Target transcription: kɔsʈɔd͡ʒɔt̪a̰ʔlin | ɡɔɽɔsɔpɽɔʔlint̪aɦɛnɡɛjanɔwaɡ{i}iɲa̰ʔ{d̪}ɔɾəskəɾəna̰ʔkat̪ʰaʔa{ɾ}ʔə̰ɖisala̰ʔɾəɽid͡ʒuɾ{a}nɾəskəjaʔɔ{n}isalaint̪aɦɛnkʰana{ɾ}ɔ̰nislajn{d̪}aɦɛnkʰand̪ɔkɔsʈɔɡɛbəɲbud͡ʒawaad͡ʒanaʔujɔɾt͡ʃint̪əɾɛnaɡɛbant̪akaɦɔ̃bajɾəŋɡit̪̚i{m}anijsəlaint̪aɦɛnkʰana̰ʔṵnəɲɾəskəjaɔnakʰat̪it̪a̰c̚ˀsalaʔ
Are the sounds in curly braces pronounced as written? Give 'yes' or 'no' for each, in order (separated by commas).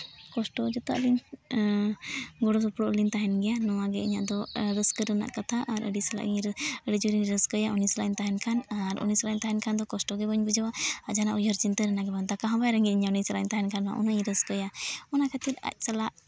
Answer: no, yes, yes, no, yes, yes, no, no